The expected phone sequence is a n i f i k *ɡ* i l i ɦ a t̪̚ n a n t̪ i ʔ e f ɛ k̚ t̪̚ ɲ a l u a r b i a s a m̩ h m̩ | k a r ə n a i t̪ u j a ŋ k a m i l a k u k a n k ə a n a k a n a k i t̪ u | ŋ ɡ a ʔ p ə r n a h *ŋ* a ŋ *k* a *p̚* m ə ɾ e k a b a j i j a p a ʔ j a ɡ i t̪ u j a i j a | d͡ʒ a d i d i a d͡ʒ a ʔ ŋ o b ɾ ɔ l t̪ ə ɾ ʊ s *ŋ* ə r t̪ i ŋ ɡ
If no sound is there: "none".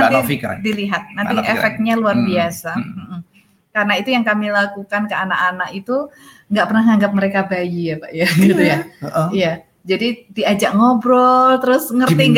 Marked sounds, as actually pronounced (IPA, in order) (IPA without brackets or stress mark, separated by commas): d, ŋ, ɡ, p̚, ŋ